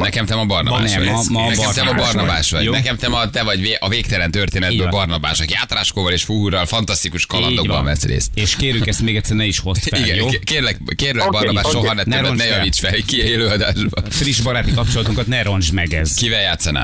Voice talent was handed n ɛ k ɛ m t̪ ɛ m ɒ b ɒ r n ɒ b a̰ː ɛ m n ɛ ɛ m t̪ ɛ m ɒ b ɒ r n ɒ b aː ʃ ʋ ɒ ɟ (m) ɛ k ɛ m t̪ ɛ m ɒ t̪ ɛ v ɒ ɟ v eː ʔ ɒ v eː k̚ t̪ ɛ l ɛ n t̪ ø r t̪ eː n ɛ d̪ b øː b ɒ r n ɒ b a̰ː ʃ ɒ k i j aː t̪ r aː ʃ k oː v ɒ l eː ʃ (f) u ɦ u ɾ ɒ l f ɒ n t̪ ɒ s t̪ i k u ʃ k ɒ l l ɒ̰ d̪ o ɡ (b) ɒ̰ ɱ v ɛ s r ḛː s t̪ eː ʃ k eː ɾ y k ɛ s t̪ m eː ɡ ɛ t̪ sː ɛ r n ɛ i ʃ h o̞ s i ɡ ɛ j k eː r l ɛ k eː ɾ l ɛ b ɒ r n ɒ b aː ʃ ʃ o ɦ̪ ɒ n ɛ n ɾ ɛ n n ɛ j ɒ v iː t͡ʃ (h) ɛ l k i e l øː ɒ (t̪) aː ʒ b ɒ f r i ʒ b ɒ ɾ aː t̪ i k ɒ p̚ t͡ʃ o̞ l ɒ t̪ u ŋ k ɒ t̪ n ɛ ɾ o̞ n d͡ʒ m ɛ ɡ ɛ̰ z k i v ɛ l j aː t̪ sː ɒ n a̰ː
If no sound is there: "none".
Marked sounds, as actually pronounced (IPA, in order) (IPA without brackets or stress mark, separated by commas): n, f, b, f, d̪